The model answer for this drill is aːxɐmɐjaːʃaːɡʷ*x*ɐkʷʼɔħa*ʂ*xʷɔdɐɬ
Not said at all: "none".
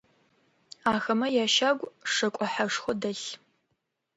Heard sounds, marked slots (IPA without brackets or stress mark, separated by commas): ʂ, ʂ